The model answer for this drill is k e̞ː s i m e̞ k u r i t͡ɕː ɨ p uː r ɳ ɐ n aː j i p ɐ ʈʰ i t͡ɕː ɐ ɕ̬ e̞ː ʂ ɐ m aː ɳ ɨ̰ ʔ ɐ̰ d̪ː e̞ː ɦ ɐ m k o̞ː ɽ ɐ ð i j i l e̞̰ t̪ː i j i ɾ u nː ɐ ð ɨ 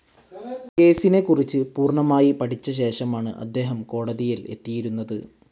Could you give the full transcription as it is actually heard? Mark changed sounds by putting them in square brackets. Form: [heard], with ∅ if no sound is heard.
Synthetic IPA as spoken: k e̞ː s i [n] e̞ k u r i t͡ɕː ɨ p uː r ɳ ɐ [m] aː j i p ɐ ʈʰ i t͡ɕː ɐ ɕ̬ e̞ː ʂ ɐ m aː ɳ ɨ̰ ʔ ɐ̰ d̪ː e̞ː ɦ ɐ m k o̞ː ɽ ɐ ð i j i l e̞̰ t̪ː i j i ɾ u nː ɐ ð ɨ